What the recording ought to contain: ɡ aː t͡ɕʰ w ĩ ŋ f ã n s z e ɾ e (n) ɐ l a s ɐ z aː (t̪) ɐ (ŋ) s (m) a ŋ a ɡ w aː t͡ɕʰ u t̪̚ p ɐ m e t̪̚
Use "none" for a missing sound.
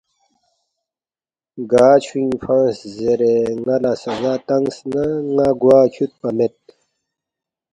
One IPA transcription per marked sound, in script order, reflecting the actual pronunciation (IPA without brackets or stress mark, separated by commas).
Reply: ŋ, t̪, ŋ, n